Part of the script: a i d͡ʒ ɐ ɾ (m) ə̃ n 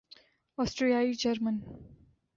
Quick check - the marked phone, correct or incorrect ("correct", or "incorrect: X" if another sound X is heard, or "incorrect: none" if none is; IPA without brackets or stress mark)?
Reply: correct